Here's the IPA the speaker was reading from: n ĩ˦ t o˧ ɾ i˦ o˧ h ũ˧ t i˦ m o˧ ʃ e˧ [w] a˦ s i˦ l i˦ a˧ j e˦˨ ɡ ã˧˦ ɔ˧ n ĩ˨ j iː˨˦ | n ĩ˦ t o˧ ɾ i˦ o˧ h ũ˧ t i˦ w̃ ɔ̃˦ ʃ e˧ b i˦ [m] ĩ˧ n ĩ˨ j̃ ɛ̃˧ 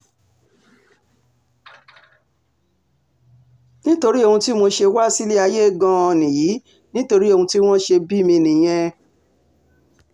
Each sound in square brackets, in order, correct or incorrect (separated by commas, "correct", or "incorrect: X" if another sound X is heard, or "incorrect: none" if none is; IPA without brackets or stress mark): correct, correct